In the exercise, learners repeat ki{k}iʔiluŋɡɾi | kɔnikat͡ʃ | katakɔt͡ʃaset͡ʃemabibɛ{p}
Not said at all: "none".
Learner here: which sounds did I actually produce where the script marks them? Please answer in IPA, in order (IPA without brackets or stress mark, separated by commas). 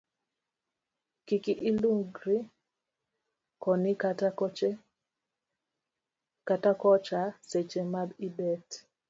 k, t